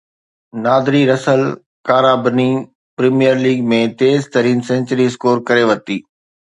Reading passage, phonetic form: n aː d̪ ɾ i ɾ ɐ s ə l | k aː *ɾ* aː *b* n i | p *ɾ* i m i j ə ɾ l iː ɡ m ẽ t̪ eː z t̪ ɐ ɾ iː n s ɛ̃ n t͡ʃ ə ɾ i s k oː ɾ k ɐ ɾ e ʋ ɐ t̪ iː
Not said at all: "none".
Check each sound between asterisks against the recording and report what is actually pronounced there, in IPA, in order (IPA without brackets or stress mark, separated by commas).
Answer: ɾ, b, ɾ